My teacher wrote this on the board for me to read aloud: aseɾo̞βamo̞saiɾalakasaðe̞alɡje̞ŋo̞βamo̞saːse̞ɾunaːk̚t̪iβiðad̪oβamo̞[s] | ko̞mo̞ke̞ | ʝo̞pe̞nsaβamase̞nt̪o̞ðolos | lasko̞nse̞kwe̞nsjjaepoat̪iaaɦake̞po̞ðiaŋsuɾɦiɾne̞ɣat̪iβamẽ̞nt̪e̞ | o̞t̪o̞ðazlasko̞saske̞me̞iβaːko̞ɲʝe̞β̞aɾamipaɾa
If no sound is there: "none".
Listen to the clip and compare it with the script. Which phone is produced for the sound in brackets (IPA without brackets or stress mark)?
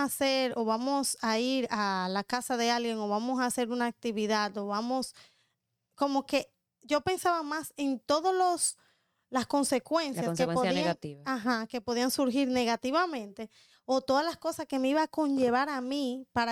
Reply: s